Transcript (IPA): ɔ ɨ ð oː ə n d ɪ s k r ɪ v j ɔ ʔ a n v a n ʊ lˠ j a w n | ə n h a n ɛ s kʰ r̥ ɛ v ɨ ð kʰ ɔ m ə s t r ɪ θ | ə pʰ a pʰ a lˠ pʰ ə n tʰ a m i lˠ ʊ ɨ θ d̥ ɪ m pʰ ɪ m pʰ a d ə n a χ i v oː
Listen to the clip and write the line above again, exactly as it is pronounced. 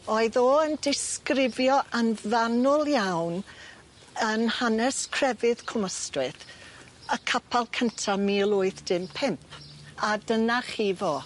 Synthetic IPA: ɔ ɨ ð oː ə n d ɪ s k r ɪ v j ɔ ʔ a n v a n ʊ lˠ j a w n | ə n h a n ɛ s kʰ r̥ ɛ v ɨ ð kʰ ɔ m ə s t r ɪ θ | ə kʰ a pʰ a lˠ kʰ ə n tʰ a m i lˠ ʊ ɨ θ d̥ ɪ m pʰ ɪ m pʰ a d ə n a χ i v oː